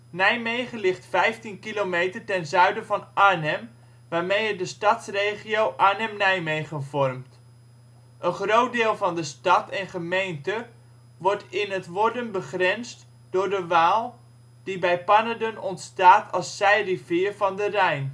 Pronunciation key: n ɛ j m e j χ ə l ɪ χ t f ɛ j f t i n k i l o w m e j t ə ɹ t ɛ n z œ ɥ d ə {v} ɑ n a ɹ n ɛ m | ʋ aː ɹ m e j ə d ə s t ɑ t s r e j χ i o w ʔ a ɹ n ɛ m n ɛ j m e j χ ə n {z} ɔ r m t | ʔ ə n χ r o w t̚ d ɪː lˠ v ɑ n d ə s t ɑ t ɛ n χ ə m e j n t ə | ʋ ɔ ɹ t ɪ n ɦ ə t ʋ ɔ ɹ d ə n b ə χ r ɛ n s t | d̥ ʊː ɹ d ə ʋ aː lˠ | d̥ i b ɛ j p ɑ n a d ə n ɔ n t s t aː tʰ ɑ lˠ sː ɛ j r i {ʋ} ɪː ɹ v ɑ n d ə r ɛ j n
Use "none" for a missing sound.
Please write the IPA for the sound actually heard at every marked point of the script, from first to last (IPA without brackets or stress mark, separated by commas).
v, v, v